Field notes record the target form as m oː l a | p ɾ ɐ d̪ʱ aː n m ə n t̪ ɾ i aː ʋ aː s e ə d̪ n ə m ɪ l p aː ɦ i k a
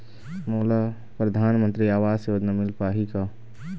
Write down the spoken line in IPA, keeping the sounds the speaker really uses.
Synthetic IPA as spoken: m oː l a | p ɾ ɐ d̪ʱ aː n m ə n t̪ ɾ i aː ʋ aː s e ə d̪ n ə m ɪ l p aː ɦ i k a